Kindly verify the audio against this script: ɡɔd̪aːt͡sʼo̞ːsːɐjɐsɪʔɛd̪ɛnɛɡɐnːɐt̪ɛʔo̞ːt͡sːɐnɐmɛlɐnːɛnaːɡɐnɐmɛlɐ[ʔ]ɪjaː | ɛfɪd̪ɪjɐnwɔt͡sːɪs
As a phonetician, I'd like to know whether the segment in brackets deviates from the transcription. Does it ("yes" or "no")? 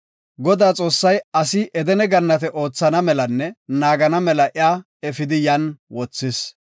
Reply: no